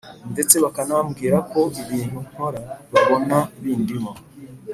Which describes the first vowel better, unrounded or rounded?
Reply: unrounded